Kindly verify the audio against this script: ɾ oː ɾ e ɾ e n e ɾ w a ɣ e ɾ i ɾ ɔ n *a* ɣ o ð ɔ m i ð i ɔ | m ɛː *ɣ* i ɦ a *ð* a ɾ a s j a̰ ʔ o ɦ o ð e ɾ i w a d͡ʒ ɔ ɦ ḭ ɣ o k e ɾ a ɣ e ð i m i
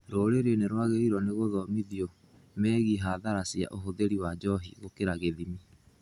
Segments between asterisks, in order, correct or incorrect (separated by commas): incorrect, correct, correct